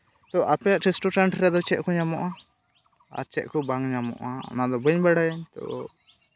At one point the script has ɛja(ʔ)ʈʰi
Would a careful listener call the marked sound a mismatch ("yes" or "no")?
no